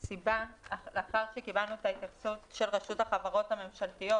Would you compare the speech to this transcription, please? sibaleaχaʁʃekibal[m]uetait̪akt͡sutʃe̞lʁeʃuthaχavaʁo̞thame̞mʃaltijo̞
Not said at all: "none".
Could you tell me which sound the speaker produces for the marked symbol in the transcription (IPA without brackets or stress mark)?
n